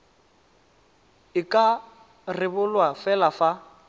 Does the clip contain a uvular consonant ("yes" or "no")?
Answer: no